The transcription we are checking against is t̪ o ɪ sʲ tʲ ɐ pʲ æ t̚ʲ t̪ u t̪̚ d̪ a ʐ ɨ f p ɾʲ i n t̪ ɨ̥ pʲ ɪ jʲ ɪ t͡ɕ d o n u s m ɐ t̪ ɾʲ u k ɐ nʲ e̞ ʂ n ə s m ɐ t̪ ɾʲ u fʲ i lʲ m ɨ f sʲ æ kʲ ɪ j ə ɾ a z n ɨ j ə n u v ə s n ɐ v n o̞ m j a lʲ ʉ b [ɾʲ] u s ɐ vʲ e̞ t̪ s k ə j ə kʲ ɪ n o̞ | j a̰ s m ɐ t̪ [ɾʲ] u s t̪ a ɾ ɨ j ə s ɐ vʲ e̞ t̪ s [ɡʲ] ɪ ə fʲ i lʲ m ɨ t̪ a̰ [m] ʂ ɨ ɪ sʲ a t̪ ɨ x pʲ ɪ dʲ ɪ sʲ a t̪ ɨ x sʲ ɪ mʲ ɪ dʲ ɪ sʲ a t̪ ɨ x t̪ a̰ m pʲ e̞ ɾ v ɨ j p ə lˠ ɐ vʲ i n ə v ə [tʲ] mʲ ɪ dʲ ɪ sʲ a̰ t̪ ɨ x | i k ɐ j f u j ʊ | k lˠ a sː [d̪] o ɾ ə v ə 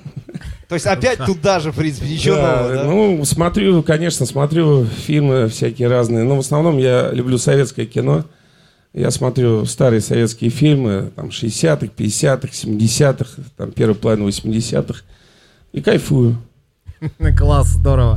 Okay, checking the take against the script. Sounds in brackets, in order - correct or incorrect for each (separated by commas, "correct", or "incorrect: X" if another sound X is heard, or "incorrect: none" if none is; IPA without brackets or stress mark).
incorrect: lʲ, correct, incorrect: kʲ, correct, incorrect: sʲ, correct